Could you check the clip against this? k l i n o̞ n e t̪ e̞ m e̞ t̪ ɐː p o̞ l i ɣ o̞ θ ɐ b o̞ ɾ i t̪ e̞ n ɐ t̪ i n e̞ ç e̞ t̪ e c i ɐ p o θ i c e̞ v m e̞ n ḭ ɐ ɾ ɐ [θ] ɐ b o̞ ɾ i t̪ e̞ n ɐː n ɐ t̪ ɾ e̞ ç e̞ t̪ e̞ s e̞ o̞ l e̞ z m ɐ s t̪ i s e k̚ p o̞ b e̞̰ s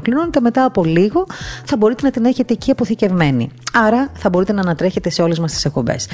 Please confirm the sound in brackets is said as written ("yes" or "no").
yes